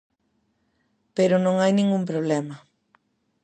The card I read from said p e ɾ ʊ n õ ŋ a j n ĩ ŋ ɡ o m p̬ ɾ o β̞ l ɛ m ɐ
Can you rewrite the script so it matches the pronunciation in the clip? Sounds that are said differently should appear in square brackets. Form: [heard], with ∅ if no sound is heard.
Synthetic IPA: p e ɾ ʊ n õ ŋ a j n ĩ ŋ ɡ [u] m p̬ ɾ o β̞ l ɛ m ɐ